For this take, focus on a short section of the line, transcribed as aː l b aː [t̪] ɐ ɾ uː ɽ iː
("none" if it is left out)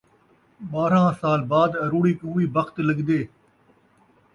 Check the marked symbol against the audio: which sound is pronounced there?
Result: d̪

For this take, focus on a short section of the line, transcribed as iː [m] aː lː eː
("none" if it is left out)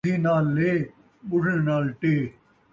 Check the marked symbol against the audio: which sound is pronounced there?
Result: n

